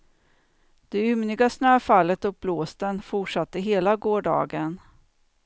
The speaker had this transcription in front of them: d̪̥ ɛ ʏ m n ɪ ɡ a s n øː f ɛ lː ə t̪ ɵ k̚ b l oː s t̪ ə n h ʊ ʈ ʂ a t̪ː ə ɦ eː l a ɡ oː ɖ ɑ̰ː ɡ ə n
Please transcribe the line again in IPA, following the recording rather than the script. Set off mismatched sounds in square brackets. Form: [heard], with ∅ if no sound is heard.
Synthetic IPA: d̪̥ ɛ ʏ m n ɪ ɡ a s n øː f [a] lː ə t̪ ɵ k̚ b l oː s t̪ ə n [f] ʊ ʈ ʂ a t̪ː ə ɦ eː l a ɡ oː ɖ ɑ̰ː ɡ ə n